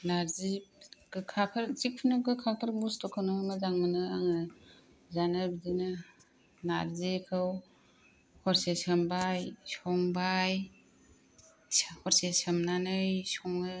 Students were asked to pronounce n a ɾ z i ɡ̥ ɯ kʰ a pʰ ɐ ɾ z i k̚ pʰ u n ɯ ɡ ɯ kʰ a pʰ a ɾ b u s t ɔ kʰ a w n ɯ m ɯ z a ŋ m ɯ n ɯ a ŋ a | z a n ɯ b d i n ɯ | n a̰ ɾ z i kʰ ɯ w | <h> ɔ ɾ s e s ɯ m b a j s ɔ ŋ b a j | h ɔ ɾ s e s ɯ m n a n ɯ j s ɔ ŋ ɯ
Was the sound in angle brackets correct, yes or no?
yes